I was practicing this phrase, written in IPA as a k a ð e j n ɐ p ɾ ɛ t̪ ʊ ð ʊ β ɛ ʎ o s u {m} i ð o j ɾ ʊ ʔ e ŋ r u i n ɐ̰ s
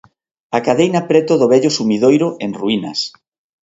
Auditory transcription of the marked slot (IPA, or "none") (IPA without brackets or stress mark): m